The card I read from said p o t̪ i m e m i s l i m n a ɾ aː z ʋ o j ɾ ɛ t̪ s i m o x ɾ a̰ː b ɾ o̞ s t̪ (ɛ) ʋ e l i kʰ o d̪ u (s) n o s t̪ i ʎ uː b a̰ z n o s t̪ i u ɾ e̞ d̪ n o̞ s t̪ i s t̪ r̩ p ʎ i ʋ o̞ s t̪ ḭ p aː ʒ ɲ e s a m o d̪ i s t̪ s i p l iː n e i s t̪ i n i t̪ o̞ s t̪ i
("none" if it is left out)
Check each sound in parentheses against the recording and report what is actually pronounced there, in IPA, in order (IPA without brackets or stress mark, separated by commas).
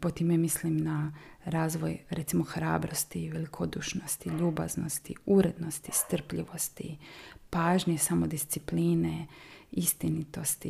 i, ʃ